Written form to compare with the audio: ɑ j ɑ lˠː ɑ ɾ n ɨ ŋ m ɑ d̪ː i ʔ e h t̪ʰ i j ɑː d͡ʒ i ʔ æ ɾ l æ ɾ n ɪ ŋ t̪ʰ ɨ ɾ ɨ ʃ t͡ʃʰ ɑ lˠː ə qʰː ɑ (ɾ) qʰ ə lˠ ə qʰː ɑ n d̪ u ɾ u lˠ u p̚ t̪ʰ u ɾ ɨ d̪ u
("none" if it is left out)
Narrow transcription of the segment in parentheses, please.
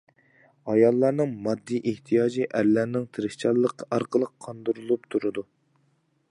ɾ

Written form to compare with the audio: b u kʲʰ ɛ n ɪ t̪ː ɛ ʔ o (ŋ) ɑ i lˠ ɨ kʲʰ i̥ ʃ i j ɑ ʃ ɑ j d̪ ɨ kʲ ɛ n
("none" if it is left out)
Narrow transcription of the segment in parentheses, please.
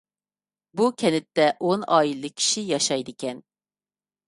n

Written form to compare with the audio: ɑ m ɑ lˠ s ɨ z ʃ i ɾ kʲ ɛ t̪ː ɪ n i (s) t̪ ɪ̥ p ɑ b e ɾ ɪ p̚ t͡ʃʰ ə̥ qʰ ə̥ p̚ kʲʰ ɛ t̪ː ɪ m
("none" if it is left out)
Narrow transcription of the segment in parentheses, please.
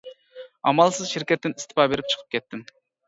s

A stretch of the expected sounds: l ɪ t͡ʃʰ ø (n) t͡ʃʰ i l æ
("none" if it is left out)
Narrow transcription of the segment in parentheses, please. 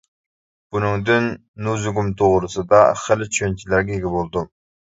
n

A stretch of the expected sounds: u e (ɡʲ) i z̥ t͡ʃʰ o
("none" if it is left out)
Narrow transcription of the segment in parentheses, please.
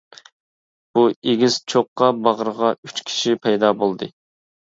ɡʲ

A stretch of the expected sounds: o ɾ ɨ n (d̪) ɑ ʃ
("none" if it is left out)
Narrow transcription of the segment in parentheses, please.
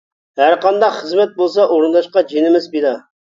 d̪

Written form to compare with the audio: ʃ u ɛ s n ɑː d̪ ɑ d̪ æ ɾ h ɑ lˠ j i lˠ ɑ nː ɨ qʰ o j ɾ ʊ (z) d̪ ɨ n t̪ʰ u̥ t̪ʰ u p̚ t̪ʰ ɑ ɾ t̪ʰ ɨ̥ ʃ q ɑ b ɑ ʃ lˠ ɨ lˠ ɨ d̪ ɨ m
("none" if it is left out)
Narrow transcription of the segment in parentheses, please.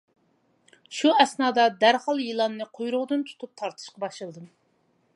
ʁ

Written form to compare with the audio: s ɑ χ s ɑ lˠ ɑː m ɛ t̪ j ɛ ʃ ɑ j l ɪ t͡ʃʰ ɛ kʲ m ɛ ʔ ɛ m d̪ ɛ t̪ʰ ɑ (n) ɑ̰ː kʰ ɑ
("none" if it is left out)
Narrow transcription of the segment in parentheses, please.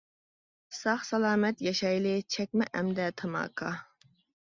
m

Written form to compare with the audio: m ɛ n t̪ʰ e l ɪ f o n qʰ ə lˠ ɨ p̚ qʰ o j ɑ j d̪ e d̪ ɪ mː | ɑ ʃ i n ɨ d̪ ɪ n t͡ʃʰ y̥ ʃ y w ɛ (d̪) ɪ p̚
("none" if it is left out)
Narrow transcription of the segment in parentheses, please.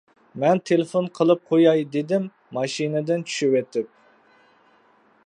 t̪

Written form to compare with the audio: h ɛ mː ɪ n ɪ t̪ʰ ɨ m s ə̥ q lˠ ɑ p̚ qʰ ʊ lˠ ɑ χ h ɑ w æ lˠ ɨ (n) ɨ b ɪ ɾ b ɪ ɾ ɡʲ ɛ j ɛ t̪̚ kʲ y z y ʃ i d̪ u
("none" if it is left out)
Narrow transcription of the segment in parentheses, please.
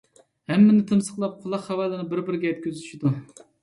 n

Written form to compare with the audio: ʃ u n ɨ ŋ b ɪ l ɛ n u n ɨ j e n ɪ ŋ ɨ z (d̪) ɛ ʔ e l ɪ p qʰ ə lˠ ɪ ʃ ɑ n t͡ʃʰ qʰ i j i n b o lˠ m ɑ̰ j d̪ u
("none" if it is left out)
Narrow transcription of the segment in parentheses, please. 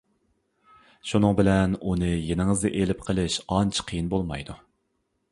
d̪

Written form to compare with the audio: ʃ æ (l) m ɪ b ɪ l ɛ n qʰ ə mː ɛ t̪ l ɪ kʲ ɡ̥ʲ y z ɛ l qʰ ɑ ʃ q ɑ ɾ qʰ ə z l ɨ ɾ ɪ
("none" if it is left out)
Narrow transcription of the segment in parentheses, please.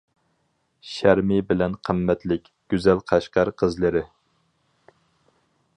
ɾ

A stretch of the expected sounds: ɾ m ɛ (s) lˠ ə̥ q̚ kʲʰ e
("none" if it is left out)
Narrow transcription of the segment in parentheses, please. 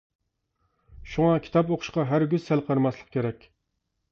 s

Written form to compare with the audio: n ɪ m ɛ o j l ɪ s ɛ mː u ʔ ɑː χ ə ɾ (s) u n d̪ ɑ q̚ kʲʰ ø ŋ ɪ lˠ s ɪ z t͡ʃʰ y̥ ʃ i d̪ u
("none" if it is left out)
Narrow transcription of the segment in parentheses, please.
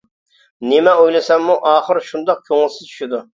ʃ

